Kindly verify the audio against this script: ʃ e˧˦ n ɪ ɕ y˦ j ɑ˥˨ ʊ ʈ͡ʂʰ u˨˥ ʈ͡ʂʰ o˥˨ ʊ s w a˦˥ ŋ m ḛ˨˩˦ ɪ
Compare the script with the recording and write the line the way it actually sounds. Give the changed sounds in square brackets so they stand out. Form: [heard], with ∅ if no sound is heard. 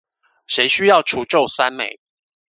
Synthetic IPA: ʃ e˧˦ [∅] ɪ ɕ y˦ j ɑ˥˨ ʊ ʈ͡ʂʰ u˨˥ [ʈ͡ʂ] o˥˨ ʊ s w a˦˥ [n] m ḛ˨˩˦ ɪ